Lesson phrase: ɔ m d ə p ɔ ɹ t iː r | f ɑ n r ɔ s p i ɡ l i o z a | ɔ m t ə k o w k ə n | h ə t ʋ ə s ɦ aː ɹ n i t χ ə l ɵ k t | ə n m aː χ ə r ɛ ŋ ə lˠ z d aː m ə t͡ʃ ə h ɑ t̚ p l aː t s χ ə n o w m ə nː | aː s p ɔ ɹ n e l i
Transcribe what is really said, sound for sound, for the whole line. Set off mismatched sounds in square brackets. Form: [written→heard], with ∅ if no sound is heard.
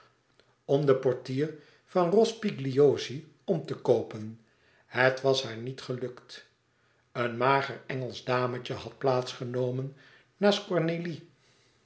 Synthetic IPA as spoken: ɔ m d ə p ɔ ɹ t iː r | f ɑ n r ɔ s p i ɡ l i o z [a→i] | ɔ m t ə k o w [k→p] ə n | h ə t ʋ [ə→ɑ] s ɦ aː ɹ n i t χ ə l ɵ k t | ə n m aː χ ə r ɛ ŋ ə lˠ z d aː m ə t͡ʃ ə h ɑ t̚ p l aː t s χ ə n o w m ə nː | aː s [p→k] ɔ ɹ n e l i